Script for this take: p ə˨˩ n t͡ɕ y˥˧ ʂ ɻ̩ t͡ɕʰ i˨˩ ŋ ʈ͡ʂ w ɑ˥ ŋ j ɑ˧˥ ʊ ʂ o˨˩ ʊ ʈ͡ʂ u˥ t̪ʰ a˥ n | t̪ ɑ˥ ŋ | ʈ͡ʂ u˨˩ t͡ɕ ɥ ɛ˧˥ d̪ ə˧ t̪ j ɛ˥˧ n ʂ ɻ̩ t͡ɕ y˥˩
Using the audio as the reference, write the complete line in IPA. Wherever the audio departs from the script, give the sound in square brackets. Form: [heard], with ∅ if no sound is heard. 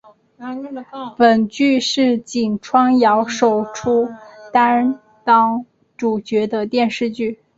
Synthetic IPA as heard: p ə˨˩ n t͡ɕ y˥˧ ʂ ɻ̩ [t͡ɕ] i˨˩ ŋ [ʈ͡ʂʰ] w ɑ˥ ŋ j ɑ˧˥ ʊ ʂ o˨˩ ʊ [ʈ͡ʂʰ] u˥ [t̪] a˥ n | t̪ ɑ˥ ŋ | ʈ͡ʂ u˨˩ t͡ɕ ɥ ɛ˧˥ d̪ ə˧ t̪ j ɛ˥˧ n ʂ ɻ̩ t͡ɕ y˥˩